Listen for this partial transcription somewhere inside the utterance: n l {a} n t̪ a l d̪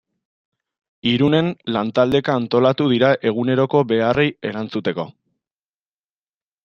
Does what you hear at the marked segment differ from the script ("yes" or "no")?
no